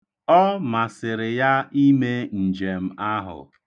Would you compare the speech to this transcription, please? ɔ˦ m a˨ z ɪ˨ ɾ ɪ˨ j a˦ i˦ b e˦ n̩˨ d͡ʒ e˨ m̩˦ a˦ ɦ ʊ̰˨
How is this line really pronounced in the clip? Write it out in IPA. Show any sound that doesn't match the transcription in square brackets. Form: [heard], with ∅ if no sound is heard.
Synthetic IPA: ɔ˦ m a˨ [s] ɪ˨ ɾ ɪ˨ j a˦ i˦ [m] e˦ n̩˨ d͡ʒ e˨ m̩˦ a˦ ɦ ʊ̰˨